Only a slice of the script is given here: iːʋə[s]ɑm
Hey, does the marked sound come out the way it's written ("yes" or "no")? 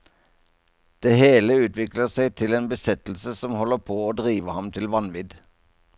no